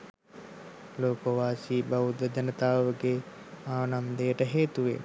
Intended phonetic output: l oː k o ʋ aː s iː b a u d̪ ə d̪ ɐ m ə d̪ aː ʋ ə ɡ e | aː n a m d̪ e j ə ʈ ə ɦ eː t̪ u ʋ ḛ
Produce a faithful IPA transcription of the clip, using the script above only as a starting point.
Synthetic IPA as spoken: l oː k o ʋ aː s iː b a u d̪ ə d̪ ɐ n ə t̪ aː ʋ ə ɡ e | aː n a m d̪ e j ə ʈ ə ɦ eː t̪ u ʋ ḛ